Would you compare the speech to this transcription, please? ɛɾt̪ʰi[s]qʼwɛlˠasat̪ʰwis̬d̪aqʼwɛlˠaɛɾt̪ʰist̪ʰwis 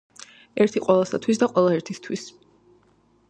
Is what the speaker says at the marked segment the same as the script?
no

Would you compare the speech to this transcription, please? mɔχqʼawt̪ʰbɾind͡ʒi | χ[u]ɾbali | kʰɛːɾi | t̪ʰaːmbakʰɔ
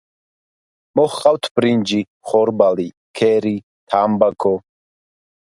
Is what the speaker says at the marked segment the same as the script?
no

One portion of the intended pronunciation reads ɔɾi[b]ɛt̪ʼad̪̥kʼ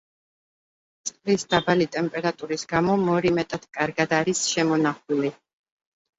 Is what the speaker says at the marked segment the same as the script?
no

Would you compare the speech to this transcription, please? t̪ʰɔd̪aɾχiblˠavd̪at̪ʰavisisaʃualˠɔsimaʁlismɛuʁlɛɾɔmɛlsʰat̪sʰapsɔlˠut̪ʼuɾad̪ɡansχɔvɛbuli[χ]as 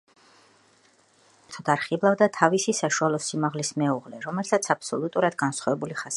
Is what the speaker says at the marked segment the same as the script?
yes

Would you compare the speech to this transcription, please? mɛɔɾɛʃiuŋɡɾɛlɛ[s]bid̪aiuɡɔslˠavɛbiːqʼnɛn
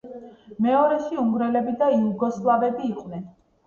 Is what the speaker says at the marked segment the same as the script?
no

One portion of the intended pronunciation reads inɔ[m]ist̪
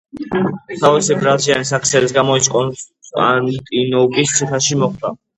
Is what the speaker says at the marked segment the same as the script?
no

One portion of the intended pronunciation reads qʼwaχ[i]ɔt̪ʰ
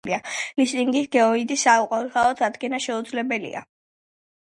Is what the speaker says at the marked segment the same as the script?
no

